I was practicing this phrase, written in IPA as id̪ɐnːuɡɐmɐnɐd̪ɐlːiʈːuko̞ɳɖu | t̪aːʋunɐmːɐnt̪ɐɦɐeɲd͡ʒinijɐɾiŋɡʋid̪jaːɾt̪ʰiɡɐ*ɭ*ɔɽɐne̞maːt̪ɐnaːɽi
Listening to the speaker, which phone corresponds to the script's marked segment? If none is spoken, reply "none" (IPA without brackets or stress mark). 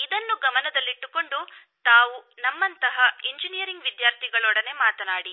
ɭ